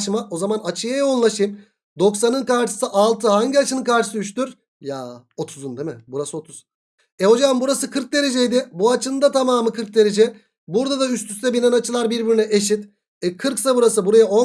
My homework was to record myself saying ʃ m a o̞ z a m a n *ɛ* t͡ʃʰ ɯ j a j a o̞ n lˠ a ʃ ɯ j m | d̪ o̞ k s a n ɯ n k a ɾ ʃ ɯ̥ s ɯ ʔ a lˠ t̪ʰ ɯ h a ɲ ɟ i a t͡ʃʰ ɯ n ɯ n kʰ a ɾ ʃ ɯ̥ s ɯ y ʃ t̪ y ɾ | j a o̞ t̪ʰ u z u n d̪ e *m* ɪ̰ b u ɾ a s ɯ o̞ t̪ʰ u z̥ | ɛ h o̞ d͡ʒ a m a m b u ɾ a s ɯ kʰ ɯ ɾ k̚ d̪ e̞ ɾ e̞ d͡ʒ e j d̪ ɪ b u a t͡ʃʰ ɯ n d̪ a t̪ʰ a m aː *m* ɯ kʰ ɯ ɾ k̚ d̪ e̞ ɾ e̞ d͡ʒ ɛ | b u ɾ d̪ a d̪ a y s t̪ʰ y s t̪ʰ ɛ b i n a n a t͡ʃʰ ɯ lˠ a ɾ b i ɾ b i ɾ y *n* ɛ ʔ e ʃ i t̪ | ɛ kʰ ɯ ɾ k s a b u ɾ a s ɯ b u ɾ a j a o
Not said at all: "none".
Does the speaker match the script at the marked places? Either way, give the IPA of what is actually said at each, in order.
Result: a, m, m, n

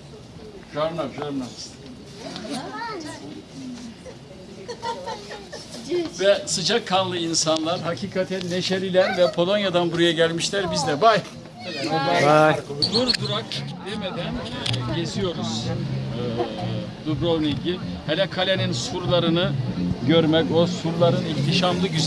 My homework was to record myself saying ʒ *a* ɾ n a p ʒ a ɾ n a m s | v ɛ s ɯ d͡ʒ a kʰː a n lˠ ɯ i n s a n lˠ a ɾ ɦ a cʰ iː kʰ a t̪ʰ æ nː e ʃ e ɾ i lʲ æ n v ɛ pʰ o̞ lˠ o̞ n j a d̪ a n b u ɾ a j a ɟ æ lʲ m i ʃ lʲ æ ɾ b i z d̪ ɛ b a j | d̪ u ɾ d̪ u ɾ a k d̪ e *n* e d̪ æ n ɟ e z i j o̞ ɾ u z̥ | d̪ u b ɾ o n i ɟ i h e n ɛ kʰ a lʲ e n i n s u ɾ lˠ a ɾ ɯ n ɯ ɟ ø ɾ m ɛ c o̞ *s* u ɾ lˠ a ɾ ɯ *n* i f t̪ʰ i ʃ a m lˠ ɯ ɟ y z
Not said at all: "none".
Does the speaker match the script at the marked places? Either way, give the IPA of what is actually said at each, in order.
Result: a, m, s, n

